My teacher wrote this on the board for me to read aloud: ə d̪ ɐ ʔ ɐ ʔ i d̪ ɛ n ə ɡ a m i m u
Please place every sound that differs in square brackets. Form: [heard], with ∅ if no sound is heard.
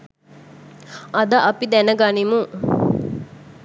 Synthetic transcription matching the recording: [ɐ] d̪ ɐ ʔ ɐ [p] i d̪ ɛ n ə ɡ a [n] i m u